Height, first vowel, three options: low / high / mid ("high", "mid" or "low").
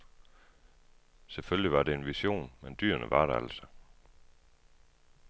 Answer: mid